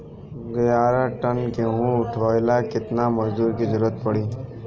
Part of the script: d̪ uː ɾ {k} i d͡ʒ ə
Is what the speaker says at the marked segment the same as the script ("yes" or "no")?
yes